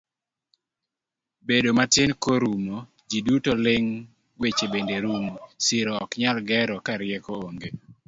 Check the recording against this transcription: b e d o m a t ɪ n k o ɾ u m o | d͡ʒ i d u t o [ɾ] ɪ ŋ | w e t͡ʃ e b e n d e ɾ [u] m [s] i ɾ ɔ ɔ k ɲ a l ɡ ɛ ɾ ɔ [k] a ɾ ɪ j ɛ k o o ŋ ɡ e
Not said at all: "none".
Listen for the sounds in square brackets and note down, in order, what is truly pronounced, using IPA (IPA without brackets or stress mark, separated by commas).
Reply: l, u, s, k